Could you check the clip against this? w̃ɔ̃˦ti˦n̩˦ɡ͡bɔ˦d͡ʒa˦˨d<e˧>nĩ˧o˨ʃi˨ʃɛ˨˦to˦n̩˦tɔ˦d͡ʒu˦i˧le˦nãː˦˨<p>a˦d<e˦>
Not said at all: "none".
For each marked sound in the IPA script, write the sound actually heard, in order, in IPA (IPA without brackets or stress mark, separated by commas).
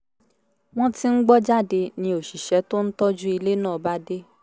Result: e˧, b, e˦